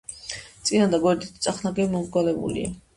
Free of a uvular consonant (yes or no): no